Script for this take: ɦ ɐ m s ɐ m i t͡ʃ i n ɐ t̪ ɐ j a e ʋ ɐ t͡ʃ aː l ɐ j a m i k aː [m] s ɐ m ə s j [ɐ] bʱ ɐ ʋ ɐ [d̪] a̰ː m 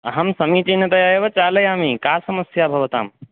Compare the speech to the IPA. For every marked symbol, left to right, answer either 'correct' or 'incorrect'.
incorrect: none, incorrect: a, incorrect: t̪

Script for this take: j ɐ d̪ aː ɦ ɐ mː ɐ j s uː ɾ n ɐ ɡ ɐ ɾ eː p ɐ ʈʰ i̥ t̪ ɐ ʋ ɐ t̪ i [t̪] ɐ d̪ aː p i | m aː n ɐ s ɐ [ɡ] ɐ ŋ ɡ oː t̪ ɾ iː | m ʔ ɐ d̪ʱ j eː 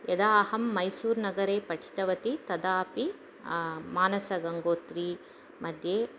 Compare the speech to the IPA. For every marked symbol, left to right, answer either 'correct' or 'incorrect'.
correct, correct

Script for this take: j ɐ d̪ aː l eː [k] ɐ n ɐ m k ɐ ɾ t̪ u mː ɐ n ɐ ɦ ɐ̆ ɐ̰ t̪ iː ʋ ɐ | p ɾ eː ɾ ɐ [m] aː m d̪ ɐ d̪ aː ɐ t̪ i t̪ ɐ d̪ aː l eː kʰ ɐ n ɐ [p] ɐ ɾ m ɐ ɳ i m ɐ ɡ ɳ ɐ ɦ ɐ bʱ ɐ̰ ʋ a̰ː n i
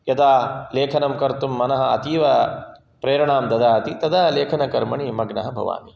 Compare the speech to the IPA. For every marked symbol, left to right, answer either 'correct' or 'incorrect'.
incorrect: kʰ, incorrect: ɳ, incorrect: k

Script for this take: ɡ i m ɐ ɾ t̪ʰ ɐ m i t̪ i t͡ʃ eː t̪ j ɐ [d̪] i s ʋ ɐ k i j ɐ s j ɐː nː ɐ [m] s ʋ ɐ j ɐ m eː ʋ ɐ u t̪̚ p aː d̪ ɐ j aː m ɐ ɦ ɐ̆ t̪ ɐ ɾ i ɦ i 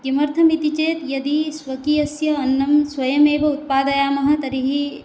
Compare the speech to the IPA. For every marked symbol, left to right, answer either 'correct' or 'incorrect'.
correct, correct

